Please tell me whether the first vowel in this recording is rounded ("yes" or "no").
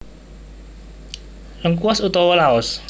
no